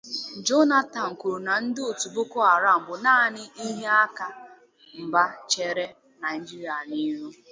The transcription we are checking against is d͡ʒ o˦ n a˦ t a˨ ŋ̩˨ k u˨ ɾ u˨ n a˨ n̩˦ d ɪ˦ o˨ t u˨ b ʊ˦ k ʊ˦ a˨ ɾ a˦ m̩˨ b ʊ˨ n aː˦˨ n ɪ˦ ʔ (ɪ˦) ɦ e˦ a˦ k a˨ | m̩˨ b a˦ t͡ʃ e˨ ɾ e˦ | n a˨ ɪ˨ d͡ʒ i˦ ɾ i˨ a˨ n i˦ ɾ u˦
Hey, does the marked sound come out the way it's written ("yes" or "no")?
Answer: no